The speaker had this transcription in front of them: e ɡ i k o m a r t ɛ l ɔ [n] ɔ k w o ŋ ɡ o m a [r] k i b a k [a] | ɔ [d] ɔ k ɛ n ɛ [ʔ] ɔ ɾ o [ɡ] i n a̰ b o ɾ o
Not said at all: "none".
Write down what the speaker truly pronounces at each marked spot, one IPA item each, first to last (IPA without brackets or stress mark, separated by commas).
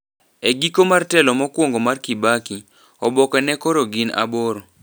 m, r, i, b, k, ɡ